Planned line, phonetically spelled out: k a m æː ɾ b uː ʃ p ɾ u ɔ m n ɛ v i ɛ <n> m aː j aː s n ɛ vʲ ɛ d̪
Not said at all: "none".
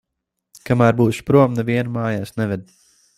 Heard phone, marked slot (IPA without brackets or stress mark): n